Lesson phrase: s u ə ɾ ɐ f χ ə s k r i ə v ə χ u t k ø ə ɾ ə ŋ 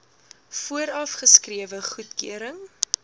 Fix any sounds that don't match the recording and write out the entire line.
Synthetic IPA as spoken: f u ə ɾ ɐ f χ ə s k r i ə v ə χ u t k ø ə ɾ ə ŋ